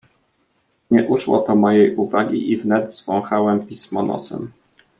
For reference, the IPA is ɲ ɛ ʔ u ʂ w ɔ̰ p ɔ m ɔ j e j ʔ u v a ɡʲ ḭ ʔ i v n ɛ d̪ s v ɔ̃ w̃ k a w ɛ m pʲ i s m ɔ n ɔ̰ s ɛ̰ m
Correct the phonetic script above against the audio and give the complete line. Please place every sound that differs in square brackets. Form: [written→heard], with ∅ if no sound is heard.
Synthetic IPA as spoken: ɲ ɛ ʔ u ʂ w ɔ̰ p ɔ m ɔ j e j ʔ u v a ɡʲ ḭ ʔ i v n ɛ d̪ [s→z] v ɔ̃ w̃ [k→x] a w ɛ m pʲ i s m ɔ n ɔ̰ s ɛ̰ m